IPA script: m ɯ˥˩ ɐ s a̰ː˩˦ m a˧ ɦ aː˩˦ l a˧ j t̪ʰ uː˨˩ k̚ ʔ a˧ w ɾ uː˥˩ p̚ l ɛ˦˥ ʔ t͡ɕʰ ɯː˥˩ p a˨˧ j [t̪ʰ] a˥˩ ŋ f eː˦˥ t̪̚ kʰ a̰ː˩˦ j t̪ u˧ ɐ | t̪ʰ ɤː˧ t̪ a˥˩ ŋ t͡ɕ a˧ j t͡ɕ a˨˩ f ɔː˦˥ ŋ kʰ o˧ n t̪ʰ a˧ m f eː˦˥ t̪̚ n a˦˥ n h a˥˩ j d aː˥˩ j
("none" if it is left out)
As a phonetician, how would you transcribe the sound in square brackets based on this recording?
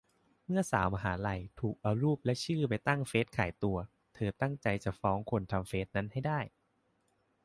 t̪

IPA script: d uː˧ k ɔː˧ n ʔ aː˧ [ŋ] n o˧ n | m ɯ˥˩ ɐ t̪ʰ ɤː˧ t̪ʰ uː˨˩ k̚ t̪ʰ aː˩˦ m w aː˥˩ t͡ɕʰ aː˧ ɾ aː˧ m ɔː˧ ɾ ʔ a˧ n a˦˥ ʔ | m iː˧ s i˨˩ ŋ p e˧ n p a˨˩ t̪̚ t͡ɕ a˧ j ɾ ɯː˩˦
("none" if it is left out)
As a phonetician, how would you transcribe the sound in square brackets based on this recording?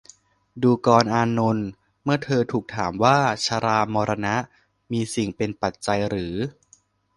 none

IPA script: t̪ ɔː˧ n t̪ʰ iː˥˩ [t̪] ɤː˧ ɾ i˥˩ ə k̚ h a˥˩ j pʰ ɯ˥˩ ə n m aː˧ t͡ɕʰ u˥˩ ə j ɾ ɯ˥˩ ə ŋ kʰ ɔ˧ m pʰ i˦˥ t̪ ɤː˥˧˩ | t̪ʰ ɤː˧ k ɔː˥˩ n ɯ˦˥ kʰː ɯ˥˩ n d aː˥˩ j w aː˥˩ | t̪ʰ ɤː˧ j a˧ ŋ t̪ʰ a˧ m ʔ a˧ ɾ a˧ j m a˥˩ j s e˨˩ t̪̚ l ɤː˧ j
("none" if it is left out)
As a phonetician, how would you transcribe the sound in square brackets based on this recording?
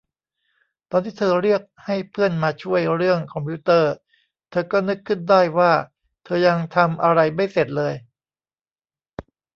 t̪ʰ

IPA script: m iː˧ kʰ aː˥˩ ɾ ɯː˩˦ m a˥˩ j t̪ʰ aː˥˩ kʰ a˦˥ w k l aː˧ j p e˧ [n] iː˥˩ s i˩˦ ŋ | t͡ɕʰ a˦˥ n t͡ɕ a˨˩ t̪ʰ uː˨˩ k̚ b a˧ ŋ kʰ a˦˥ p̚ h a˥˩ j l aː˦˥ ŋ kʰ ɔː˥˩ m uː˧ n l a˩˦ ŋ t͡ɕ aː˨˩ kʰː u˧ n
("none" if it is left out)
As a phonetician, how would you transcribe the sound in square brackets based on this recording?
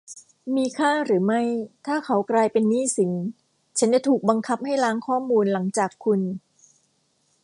nː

